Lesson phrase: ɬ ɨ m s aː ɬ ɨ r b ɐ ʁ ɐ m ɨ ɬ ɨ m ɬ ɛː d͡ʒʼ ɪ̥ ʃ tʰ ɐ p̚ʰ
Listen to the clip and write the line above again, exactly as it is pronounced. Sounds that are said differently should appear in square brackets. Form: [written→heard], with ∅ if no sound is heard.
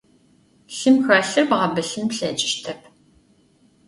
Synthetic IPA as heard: ɬ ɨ m [s→x] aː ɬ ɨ r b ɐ ʁ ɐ [m→b] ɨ ɬ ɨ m ɬ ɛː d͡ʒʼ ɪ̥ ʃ tʰ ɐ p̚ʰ